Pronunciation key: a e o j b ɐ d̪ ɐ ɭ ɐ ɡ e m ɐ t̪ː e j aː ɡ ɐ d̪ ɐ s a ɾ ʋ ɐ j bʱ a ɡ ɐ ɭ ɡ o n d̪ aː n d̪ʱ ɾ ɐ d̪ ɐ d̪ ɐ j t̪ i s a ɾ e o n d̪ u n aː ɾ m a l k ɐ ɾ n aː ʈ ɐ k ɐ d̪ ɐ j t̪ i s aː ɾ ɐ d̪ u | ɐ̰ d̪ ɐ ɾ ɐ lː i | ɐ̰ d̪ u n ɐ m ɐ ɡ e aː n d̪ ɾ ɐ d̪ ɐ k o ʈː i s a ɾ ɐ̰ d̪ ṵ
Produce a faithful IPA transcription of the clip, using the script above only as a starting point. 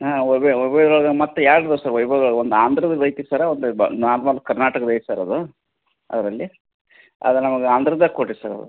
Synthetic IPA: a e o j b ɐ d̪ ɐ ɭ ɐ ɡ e m ɐ t̪ː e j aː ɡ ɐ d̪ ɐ s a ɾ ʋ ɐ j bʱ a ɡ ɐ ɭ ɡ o n d̪ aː n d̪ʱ ɾ ɐ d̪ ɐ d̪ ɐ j t̪ i s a ɾ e o n d̪ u n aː ɾ m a l k ɐ ɾ n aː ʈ ɐ k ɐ d̪ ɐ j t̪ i s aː ɾ ɐ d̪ u | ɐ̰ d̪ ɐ ɾ ɐ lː i | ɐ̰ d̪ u n ɐ m ɐ ɡ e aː n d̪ ɾ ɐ d̪ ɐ k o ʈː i s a ɾ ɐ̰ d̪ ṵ